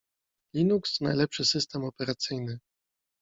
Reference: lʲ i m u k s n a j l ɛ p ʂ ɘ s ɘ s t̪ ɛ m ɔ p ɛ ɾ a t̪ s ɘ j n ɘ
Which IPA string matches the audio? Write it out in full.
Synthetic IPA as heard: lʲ i n u k s n a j l ɛ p ʂ ɘ s ɘ s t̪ ɛ m ɔ p ɛ ɾ a t̪ s ɘ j n ɘ